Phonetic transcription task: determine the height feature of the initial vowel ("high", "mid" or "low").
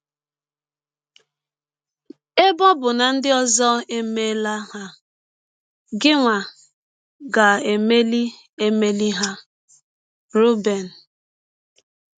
mid